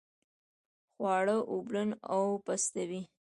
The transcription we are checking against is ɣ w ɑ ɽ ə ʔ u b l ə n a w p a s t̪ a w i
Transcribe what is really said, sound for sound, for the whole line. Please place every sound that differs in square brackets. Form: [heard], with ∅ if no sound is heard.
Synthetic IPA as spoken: [x] w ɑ ɽ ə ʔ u b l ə n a w p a s t̪ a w i

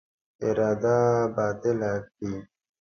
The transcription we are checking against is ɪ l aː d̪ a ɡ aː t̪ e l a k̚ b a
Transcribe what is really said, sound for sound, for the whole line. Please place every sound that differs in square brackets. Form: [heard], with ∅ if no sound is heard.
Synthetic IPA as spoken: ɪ [ɾ] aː d̪ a [b] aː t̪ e l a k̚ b [i]

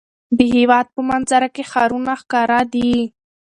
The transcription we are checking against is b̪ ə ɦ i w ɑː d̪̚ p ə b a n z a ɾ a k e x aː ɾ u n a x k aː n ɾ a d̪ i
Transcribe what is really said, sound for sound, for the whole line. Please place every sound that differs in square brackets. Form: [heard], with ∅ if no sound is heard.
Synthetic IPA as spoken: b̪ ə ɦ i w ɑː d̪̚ p ə [m] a n z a ɾ a k e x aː ɾ u n a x k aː [∅] ɾ a d̪ i

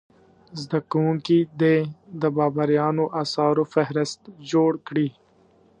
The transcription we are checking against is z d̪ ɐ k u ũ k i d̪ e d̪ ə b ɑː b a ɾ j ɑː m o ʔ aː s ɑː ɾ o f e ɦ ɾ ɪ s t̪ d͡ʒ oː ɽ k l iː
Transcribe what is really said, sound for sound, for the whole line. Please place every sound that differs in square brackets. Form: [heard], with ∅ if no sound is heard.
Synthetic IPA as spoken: z d̪ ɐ k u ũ k i d̪ e d̪ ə b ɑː b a ɾ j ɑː [n] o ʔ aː s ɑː ɾ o f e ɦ ɾ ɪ s t̪ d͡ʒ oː ɽ k [ɽ] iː

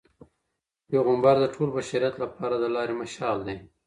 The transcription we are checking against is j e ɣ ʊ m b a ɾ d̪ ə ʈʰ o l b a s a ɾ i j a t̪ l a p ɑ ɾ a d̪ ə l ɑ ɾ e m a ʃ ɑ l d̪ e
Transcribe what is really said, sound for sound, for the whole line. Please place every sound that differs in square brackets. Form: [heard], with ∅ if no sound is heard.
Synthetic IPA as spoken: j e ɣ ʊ m b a ɾ d̪ ə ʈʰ o l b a [ʃ] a ɾ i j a t̪ l a p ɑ ɾ a d̪ ə l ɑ ɾ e m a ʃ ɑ l d̪ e

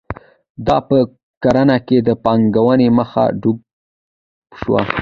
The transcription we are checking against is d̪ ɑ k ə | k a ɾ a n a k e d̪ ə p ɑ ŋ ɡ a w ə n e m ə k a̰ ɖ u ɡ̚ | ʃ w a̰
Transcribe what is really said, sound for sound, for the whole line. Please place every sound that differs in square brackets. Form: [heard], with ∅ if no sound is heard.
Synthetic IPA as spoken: d̪ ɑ [p] ə | k a ɾ a n a k e d̪ ə p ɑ ŋ ɡ a w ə n e m ə [x] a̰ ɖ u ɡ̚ | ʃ w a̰

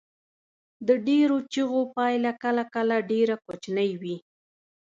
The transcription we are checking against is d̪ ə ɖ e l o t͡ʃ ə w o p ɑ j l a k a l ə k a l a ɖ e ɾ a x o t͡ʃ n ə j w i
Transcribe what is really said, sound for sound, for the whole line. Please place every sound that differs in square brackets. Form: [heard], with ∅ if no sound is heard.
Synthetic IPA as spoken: d̪ ə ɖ e [ɾ] o t͡ʃ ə [ɣ] o p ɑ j l a k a l [a] k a l a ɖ e ɾ a [k] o t͡ʃ n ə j w i

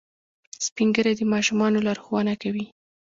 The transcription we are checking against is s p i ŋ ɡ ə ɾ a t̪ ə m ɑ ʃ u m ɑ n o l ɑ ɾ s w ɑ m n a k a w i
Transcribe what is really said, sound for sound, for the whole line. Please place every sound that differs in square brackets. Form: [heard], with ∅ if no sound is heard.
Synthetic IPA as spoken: s p i ŋ ɡ ə ɾ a [d̪] ə m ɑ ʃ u m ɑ n o l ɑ ɾ [x] w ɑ [∅] n a k a w i

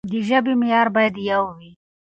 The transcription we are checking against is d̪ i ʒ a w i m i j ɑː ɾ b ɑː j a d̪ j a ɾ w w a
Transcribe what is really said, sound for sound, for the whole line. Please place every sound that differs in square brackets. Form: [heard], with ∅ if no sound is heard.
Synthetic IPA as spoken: d̪ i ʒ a [b] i m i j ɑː ɾ b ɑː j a d̪ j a [∅] w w [i]

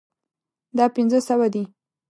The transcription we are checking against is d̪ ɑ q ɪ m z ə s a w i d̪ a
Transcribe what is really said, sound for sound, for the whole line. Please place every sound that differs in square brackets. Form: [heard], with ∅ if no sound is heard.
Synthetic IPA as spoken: d̪ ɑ [p] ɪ [n] z ə s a w [a] d̪ [i]

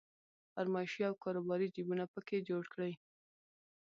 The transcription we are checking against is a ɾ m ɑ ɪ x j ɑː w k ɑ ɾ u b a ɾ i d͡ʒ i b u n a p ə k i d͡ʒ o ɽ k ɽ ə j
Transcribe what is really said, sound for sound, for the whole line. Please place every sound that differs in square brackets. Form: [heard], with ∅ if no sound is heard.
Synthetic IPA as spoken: a ɾ m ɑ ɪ [ʃ] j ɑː w k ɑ ɾ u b [ɑ] ɾ i d͡ʒ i b u n a p ə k [e] d͡ʒ o ɽ k ɽ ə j

